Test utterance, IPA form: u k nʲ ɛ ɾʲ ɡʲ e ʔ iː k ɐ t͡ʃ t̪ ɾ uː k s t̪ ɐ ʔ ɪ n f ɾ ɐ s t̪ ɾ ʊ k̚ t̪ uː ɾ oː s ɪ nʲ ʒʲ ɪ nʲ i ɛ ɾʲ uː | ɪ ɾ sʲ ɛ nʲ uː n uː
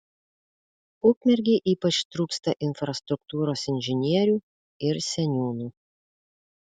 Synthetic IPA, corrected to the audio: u k mʲ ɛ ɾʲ ɡʲ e ʔ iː p ɐ t͡ʃ t̪ ɾ uː k s t̪ ɐ ʔ ɪ n f ɾ ɐ s t̪ ɾ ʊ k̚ t̪ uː ɾ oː s ɪ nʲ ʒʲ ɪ nʲ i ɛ ɾʲ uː | ɪ ɾ sʲ ɛ nʲ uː n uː